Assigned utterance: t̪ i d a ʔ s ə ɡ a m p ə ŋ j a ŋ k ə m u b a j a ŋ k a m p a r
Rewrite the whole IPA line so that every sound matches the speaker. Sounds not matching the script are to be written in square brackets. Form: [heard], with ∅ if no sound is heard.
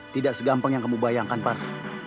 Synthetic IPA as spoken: t̪ i d a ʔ s ə ɡ a m p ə ŋ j a ŋ k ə m u b a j a ŋ k a [n] p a r